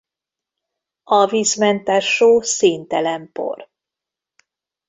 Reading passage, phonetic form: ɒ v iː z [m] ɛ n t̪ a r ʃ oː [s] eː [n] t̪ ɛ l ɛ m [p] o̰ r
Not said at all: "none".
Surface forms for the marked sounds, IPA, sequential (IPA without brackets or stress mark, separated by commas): m, s, n, p